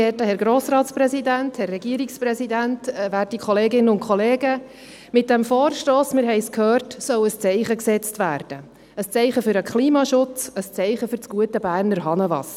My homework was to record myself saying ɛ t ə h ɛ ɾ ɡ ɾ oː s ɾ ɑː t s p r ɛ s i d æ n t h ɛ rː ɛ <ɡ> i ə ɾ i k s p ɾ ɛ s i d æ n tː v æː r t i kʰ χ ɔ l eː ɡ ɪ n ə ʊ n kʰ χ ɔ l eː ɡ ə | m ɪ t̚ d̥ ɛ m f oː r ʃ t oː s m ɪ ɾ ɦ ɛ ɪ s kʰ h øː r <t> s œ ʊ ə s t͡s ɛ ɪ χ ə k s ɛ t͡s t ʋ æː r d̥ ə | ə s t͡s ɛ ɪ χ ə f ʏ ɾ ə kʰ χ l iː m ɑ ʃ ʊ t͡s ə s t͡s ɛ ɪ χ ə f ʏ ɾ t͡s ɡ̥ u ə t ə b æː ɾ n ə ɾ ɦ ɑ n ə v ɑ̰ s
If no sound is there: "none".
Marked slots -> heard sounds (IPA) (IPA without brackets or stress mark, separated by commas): ɡ, t